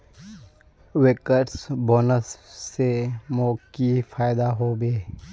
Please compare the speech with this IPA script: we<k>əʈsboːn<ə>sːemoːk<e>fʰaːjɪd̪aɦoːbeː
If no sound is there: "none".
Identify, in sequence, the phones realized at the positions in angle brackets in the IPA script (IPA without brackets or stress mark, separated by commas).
k, ə, i